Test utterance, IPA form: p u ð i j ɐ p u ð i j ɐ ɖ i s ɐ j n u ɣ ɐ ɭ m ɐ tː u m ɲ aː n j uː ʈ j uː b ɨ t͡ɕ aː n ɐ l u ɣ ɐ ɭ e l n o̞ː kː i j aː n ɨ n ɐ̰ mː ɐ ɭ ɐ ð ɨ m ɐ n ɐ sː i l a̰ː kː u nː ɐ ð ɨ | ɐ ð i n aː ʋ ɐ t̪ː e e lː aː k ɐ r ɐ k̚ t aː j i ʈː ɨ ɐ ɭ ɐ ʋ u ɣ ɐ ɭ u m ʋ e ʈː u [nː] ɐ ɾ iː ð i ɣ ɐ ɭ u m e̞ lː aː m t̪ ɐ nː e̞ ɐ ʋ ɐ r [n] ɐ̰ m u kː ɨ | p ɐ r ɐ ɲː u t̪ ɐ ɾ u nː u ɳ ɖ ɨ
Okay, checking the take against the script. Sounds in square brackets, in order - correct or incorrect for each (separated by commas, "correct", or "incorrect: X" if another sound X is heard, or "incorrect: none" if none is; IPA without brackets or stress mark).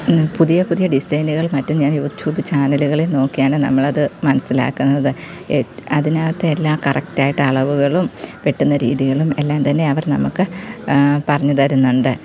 correct, correct